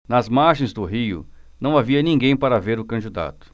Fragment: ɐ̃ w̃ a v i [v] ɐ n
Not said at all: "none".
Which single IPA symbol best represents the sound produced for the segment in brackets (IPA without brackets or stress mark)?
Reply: none